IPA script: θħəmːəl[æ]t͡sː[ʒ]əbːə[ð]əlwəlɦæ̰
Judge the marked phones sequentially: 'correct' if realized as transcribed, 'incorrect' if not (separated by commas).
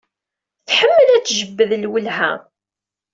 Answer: correct, correct, correct